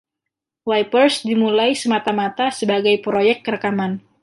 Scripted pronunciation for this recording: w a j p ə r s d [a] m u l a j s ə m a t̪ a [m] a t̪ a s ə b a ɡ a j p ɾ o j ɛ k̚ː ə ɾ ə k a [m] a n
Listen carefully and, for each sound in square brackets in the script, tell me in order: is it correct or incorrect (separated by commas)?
incorrect, correct, correct